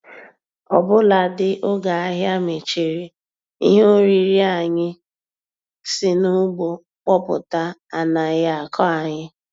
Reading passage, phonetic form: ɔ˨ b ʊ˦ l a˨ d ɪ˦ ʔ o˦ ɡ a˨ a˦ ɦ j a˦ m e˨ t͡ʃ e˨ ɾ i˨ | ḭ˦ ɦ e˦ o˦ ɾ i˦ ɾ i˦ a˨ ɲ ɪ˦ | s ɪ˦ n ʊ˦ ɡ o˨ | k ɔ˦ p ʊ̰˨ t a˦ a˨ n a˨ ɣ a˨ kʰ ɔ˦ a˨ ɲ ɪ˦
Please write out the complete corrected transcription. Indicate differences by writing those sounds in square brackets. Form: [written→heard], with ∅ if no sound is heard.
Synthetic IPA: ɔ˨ b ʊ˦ l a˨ d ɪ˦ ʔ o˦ ɡ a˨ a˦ ɦ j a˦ m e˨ t͡ʃ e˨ ɾ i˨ | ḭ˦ ɦ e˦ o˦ ɾ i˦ ɾ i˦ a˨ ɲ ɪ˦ | s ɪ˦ n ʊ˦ [ɡ→ɡ͡b] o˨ | [k→k͡p] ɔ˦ p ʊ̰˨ t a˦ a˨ n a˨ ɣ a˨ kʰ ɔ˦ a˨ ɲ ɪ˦